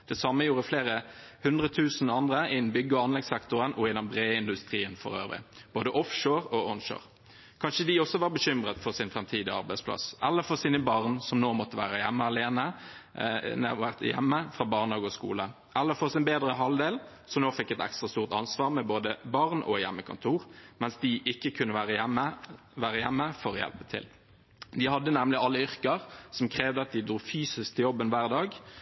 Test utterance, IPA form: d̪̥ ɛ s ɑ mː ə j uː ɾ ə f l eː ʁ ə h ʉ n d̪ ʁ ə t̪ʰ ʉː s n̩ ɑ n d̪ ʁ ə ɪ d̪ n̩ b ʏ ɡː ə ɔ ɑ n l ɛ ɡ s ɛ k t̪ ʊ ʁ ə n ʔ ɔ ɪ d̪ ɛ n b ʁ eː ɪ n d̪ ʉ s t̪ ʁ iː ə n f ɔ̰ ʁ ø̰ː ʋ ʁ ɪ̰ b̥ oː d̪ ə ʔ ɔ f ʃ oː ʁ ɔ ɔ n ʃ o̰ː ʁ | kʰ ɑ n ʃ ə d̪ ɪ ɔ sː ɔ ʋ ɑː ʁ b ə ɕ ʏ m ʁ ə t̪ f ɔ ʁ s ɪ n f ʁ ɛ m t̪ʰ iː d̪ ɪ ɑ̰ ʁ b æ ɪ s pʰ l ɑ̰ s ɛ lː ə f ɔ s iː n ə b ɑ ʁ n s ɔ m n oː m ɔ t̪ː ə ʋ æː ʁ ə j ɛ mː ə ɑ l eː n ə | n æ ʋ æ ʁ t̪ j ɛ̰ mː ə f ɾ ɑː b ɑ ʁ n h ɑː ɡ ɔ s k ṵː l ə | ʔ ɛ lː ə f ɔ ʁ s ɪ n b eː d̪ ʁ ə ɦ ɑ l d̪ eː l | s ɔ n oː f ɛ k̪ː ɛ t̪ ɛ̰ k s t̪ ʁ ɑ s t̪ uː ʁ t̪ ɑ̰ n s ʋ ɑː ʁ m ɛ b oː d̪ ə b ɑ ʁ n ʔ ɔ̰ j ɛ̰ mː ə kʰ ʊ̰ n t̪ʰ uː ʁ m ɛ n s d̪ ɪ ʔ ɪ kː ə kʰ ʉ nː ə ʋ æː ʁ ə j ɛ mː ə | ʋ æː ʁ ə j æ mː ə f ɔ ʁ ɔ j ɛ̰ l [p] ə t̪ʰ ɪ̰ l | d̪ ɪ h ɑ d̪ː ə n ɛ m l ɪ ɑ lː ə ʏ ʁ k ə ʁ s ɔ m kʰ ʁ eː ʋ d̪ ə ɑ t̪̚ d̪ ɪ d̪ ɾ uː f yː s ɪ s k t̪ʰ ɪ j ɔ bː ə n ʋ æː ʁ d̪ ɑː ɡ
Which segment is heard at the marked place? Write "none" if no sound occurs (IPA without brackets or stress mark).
p